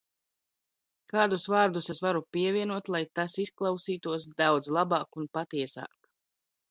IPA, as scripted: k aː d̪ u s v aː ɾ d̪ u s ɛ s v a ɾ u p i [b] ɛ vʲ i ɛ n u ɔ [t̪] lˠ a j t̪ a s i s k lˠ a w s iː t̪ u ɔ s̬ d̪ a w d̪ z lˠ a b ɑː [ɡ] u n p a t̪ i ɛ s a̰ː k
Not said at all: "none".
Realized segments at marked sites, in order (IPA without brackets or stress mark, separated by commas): none, t̪, k